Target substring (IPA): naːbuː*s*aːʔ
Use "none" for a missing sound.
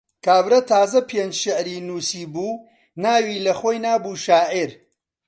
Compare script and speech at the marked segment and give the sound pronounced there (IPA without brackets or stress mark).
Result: ʃ